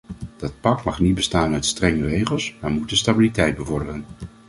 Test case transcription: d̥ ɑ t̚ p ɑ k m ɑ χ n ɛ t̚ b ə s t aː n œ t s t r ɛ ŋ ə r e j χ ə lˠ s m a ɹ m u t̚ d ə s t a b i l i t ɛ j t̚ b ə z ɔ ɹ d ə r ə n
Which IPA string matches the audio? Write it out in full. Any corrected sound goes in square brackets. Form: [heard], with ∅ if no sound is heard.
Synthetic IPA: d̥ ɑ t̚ p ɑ k m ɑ χ n [i] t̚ b ə s t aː n œ t s t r ɛ ŋ ə r e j χ ə lˠ s m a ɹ m u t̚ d ə s t a b i l i t ɛ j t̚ b ə [v] ɔ ɹ d ə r ə n